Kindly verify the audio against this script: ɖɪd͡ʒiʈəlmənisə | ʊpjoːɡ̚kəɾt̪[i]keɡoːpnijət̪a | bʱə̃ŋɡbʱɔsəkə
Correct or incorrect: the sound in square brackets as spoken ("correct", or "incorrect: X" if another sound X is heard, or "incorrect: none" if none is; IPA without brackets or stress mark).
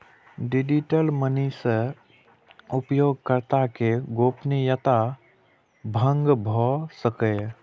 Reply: incorrect: a